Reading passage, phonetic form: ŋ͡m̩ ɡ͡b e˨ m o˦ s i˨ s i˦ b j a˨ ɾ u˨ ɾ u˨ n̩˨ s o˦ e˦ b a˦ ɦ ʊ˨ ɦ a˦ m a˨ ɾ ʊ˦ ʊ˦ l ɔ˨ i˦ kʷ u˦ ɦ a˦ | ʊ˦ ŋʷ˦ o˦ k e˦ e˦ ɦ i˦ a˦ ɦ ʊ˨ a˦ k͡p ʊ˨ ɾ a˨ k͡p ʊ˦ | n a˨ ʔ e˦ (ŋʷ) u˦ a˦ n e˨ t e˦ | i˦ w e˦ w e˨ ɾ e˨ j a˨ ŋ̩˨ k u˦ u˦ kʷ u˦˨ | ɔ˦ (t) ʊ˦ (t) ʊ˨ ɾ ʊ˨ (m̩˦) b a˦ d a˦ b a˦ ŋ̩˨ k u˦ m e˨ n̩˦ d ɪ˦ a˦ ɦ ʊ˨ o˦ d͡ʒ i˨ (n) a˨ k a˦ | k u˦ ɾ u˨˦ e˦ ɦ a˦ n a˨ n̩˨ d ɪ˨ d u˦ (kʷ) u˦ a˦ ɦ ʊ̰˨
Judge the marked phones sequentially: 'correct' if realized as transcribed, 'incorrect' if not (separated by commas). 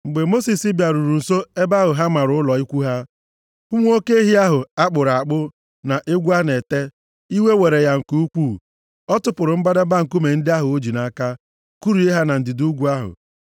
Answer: incorrect, correct, incorrect, correct, correct, incorrect